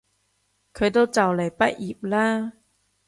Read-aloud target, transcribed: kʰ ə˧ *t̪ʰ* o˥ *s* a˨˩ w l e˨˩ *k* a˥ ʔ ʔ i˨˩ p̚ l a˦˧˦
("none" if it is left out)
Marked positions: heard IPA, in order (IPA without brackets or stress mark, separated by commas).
t̪, t͡s, p